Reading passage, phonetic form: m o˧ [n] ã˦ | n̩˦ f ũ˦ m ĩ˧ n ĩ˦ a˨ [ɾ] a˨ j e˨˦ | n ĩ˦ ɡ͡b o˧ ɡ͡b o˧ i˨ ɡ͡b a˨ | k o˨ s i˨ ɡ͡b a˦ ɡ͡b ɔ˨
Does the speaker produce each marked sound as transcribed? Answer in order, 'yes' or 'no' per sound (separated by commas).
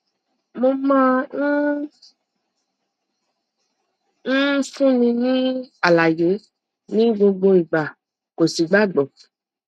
no, no